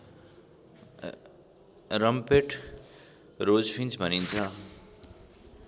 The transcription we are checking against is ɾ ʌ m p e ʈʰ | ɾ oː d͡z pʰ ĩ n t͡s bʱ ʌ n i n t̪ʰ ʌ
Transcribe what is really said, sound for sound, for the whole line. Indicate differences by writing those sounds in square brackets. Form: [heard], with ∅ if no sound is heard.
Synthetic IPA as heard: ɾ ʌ m p e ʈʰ | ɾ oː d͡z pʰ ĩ n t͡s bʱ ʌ n i n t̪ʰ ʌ

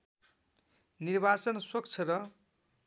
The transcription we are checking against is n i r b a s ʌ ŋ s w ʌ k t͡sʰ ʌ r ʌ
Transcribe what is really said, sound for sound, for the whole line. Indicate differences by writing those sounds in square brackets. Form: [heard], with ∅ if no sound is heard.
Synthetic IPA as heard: n i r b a [t͡s] ʌ [n] s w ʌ k t͡sʰ ʌ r ʌ

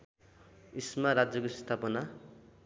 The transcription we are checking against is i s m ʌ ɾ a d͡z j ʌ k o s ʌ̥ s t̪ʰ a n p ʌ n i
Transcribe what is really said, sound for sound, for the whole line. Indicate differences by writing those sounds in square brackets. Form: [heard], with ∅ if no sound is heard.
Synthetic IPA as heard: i s m [a] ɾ a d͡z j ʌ k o s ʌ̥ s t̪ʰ a [∅] p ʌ n [a]

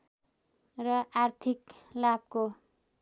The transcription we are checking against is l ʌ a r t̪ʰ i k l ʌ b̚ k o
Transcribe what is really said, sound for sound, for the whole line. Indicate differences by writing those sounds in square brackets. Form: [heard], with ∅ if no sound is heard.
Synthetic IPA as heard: [r] ʌ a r t̪ʰ i k l [a] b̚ k o

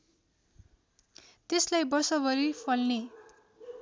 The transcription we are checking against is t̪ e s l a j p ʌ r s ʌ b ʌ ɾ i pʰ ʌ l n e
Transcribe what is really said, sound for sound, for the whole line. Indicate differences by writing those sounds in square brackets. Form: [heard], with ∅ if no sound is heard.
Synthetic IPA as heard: t̪ e s l a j [b] ʌ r s ʌ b ʌ ɾ i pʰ ʌ l n e

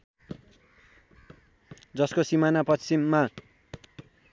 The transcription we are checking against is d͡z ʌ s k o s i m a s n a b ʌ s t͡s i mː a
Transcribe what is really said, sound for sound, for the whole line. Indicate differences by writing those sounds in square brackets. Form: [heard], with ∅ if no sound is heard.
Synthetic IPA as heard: d͡z ʌ s k o s i m a [∅] n a [p] ʌ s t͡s i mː a

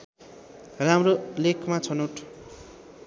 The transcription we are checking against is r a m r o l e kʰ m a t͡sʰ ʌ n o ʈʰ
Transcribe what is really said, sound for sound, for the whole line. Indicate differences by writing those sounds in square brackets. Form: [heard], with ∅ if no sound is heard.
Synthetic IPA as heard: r a m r o l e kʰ m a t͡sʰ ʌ n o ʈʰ

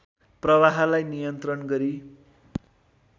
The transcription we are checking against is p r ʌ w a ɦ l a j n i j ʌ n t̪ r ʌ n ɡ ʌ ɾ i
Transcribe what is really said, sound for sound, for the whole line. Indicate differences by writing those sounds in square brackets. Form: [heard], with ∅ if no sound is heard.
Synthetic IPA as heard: p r ʌ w a ɦ l a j n i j ʌ n t̪ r ʌ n ɡ ʌ ɾ i

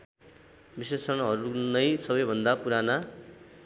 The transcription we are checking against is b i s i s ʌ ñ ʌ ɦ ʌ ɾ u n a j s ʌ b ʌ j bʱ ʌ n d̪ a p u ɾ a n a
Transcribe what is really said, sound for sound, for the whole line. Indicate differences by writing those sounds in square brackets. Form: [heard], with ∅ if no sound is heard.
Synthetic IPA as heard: b i s [e] s ʌ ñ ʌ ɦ ʌ ɾ u n [ʌ] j s ʌ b ʌ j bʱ ʌ n d̪ a p u ɾ a n a

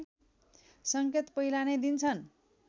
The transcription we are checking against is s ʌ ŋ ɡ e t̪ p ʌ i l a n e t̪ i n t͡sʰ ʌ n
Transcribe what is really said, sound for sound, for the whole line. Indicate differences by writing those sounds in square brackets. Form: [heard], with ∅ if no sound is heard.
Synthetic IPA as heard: s ʌ ŋ [k] e t̪ p ʌ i l a n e [d̪] i n t͡sʰ ʌ n

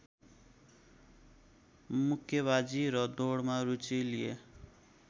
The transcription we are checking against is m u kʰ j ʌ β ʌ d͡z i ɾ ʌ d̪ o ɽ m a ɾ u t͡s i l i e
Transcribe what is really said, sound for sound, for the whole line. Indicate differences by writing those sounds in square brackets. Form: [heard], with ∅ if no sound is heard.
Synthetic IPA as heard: m u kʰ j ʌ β [a] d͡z i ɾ ʌ d̪ o ɽ m a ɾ u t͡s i l i e

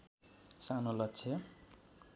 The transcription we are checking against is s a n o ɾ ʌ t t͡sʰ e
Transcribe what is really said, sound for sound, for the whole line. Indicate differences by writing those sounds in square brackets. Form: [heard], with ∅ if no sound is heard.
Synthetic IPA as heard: s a n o [l] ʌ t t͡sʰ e

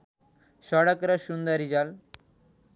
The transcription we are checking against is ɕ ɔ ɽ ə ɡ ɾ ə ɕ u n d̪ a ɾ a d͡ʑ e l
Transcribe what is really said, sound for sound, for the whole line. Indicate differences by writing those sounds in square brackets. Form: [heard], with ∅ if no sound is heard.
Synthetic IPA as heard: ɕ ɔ ɽ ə [k] ɾ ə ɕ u n d̪ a ɾ [i] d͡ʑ [a] l

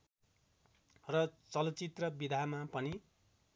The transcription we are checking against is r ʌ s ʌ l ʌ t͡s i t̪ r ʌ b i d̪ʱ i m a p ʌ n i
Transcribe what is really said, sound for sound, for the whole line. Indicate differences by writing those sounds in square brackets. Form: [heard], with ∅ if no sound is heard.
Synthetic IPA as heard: r ʌ [t͡s] ʌ l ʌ t͡s i t̪ r ʌ b i d̪ʱ [a] m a p ʌ n i

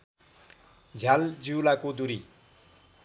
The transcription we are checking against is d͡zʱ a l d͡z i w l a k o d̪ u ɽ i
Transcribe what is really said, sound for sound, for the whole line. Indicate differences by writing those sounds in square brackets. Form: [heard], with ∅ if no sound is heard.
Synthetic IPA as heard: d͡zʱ a l d͡z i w l a k o d̪ u [ɾ] i

